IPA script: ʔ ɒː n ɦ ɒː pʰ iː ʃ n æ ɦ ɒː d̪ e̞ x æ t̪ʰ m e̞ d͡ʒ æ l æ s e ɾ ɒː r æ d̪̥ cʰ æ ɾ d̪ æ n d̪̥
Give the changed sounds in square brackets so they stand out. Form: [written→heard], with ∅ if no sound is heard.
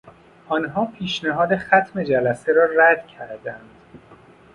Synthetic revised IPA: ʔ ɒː n ɦ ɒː pʰ iː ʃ n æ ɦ ɒː d̪ e̞ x æ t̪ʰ m e̞ d͡ʒ æ l æ s e ɾ ɒː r æ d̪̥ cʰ æ ɾ d̪ æ n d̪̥